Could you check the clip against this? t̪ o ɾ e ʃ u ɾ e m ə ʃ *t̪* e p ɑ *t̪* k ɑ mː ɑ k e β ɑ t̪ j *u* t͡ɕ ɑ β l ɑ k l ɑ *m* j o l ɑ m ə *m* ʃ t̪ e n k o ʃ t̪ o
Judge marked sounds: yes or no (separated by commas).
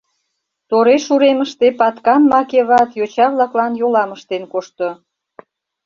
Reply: yes, yes, no, no, no